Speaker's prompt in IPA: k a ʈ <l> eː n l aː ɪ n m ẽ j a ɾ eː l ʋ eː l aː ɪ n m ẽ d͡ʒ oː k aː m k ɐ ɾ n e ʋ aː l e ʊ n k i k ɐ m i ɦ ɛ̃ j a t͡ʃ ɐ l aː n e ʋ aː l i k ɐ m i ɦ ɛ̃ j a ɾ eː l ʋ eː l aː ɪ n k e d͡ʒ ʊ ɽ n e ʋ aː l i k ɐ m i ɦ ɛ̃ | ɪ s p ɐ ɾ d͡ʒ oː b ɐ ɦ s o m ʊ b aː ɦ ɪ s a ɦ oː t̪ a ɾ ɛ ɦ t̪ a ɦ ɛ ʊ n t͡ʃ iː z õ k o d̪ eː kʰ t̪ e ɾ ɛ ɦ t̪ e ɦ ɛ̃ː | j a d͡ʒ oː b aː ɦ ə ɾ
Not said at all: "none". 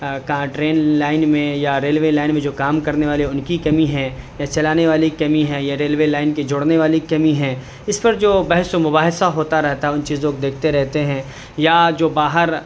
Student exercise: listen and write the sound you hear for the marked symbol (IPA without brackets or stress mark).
ɾ